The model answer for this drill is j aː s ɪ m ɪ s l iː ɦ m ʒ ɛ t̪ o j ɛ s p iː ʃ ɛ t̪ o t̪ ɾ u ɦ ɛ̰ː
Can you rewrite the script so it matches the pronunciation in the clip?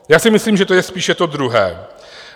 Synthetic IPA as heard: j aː s ɪ m ɪ s l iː m ʒ ɛ t̪ o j ɛ s p iː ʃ ɛ t̪ o d̪ ɾ u ɦ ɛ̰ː